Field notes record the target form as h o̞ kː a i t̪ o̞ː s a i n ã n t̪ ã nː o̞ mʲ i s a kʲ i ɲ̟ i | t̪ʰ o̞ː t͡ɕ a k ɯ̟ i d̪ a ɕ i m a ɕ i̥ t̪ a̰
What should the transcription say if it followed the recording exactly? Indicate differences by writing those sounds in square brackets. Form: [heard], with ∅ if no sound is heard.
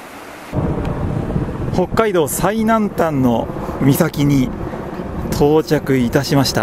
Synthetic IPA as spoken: h o̞ kː a i [d̪] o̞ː s a i n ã n t̪ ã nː o̞ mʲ i s a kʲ i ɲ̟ i | t̪ʰ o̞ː t͡ɕ a k ɯ̟ i [t̪] a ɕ i m a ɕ i̥ t̪ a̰